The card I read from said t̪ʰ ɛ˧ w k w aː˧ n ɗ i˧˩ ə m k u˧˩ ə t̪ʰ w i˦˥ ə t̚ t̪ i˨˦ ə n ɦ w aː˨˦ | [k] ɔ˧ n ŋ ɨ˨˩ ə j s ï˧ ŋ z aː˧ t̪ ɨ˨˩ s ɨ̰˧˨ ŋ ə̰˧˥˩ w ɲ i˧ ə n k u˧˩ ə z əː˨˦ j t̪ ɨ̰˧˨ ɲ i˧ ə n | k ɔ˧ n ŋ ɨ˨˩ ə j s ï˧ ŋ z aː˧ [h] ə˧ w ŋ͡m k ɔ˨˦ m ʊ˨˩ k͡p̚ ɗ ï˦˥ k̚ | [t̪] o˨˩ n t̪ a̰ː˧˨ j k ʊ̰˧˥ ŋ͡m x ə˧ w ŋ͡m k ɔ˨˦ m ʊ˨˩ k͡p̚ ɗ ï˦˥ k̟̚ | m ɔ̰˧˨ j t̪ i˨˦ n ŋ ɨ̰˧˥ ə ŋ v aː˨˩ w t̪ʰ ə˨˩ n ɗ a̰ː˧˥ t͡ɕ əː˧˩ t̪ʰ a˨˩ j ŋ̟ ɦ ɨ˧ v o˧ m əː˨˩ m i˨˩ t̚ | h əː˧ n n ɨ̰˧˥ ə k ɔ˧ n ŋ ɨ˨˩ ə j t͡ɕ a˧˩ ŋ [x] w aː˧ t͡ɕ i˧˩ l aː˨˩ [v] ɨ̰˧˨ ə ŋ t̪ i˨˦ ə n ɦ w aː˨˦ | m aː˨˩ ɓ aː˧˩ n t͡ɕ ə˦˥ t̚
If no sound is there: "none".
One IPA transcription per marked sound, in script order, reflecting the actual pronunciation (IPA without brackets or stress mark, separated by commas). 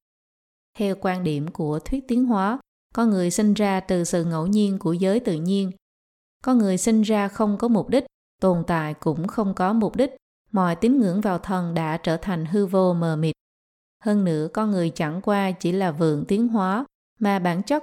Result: k, x, t̪, k, v